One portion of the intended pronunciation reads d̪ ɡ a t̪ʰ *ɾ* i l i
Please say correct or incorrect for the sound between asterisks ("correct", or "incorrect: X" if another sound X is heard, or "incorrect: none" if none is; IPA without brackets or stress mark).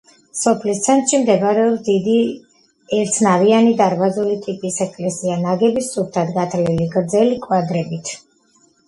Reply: incorrect: l